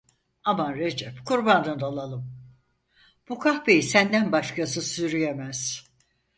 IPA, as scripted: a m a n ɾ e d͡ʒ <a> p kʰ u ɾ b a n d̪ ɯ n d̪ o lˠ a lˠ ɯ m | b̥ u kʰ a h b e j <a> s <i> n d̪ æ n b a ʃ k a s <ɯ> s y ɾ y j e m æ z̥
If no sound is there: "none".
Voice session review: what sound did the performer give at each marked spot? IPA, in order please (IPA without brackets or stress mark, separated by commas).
ɛ, i, æ, ɯ